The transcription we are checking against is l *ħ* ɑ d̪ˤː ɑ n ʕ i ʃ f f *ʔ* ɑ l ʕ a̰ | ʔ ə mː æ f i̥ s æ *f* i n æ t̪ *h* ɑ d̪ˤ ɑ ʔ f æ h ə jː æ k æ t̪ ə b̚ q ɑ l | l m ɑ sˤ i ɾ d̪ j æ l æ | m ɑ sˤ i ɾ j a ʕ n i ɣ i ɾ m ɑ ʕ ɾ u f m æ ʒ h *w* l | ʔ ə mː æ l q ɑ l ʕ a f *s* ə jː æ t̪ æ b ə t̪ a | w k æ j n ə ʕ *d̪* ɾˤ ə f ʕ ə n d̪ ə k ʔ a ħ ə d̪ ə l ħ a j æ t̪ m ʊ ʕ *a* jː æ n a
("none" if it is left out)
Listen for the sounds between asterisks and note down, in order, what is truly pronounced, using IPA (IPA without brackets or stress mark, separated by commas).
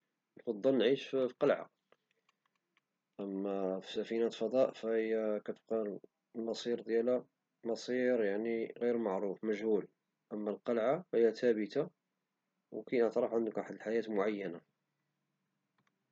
f, q, f, f, u, h, t̪, a